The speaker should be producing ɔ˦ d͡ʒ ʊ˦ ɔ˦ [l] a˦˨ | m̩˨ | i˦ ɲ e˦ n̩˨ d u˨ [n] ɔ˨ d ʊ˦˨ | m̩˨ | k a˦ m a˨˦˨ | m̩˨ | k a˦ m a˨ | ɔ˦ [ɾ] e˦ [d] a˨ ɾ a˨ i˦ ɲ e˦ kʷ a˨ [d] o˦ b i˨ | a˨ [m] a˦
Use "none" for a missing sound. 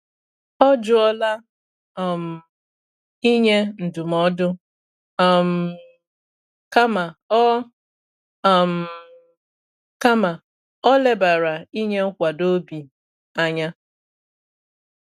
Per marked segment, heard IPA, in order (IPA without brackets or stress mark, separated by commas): l, m, l, b, d, ɲ